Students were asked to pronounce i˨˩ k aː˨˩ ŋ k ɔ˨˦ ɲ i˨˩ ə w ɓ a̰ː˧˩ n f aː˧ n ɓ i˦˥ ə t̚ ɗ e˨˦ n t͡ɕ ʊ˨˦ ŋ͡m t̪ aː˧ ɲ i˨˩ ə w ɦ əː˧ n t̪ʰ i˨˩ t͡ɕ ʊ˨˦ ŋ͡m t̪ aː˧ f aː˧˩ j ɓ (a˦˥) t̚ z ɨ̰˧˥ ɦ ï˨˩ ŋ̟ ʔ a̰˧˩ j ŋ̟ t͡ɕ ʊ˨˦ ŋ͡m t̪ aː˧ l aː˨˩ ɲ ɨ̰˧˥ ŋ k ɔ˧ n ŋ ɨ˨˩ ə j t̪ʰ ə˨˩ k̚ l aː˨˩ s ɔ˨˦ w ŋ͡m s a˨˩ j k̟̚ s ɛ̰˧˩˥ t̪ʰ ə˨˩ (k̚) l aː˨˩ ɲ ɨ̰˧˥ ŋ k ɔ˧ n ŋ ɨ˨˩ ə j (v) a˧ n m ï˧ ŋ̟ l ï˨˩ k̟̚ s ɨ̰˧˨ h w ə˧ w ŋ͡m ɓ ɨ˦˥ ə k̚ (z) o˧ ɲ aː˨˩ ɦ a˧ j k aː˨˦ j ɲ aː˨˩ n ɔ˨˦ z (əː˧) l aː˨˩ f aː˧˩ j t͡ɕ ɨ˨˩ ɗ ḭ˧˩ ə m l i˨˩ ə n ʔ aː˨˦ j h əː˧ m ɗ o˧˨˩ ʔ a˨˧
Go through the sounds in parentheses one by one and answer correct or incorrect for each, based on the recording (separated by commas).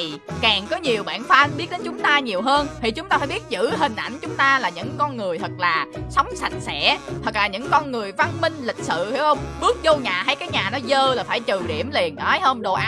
incorrect, correct, correct, correct, correct